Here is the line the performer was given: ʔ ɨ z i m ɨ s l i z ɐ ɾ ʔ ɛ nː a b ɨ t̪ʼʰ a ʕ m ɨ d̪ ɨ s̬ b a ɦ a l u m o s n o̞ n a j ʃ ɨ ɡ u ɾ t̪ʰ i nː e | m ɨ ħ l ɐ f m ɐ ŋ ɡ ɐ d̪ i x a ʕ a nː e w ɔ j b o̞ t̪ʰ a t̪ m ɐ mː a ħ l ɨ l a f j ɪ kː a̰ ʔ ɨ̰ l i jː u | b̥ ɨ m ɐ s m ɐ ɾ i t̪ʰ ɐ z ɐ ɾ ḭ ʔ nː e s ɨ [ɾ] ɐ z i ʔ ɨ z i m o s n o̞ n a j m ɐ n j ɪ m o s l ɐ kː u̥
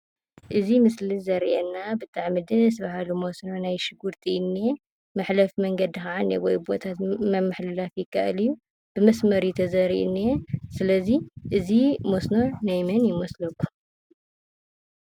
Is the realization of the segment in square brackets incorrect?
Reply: yes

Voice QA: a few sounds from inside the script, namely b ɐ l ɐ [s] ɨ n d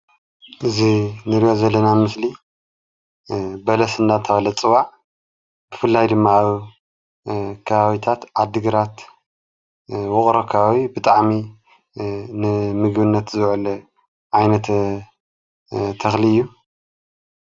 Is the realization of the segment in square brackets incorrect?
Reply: no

